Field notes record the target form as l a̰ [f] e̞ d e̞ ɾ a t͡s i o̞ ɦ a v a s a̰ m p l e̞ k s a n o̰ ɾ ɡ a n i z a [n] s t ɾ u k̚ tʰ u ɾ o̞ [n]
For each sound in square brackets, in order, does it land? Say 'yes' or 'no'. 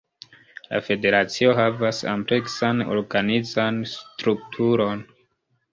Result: yes, yes, yes

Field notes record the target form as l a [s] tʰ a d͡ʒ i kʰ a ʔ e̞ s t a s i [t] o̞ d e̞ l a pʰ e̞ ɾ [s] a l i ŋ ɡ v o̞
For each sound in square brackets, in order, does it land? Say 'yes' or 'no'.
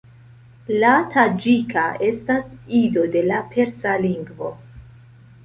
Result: no, no, yes

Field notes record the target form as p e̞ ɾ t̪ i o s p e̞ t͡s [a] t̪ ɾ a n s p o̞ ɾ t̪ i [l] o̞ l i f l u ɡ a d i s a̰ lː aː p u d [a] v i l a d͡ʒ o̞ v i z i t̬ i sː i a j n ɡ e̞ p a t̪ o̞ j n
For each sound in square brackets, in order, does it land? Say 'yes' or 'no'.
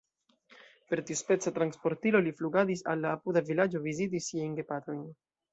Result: yes, yes, yes

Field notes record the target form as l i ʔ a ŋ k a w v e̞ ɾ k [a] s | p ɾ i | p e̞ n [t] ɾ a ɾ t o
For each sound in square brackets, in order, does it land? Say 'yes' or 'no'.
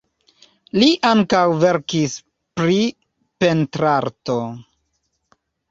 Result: no, yes

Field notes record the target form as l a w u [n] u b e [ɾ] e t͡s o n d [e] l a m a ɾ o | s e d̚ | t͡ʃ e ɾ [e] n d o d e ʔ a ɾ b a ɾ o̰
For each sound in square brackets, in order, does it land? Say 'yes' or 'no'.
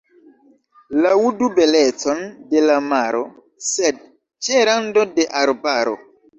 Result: no, no, yes, no

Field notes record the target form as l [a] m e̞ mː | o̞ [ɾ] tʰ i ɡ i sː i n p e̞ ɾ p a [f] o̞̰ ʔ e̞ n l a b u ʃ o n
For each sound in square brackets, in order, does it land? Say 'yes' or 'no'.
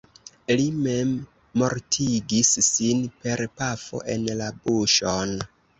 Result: no, yes, yes

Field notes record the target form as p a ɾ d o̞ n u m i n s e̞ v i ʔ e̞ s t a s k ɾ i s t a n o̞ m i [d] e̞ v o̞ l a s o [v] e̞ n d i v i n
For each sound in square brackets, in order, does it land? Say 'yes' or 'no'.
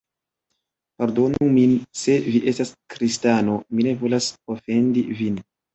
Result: no, no

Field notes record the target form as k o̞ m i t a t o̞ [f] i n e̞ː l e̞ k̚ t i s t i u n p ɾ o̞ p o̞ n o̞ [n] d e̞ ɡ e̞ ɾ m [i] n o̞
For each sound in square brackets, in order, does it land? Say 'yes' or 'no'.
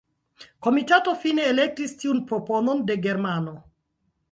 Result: yes, yes, no

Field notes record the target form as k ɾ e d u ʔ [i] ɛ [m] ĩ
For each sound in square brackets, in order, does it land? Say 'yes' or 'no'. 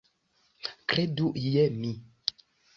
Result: no, yes

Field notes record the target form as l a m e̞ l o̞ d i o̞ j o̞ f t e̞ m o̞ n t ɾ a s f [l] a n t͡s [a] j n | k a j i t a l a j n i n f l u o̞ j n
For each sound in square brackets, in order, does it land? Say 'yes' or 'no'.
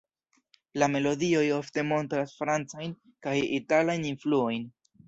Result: no, yes

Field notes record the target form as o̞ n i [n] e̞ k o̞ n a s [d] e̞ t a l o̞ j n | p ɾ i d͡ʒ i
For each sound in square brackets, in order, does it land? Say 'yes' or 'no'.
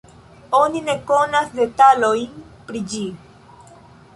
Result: yes, yes

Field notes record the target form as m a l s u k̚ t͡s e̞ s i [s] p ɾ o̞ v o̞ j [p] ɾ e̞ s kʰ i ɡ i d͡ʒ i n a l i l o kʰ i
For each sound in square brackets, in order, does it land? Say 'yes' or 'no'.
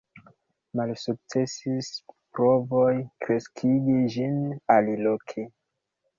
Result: yes, no

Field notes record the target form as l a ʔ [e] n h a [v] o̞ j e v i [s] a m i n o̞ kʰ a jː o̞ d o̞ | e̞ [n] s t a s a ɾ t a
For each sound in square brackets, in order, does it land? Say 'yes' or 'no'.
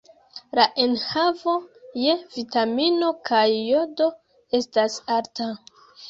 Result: yes, yes, no, no

